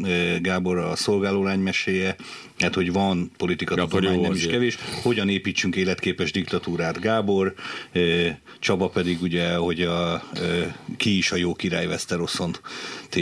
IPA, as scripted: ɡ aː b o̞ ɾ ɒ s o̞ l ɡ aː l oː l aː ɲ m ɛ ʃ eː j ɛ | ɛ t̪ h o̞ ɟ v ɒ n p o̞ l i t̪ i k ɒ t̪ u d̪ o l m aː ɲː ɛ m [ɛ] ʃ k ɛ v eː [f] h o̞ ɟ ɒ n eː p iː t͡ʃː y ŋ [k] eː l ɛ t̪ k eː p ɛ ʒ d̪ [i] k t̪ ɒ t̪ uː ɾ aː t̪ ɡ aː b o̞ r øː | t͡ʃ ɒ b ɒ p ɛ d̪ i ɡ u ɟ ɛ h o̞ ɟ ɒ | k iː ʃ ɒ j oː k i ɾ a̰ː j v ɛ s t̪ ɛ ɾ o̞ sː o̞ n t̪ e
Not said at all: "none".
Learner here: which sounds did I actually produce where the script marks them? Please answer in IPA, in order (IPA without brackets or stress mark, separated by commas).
i, ʃ, k, i